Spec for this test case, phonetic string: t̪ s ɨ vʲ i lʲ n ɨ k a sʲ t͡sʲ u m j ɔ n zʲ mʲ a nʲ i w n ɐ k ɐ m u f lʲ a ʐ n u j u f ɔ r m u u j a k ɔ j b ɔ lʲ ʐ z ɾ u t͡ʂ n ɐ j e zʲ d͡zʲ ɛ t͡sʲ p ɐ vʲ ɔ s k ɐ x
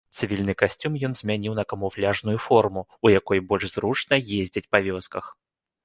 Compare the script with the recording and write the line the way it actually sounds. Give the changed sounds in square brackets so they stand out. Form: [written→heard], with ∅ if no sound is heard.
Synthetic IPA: t̪ s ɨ vʲ i lʲ n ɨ k a sʲ t͡sʲ u m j ɔ n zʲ mʲ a nʲ i w n ɐ k ɐ m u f lʲ a ʐ n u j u f ɔ r m u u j a k ɔ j b ɔ lʲ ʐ z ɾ u t͡ʂ n ɐ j e zʲ d͡zʲ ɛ t͡sʲ p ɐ vʲ ɔ s k ɐ x